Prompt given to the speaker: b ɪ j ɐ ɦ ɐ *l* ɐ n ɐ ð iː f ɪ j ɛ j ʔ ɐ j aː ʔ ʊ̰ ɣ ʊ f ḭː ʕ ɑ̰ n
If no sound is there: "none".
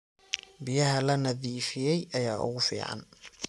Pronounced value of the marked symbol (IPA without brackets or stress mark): l